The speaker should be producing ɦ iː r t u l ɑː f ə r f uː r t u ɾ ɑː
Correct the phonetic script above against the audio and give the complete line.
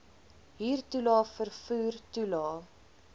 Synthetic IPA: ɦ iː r t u l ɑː f ə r f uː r t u l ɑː